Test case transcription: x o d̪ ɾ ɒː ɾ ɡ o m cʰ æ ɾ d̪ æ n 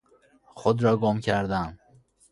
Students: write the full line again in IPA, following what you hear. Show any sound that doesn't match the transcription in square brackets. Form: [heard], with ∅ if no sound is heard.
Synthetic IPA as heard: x o d̪ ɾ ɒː [∅] ɡ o m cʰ æ ɾ d̪ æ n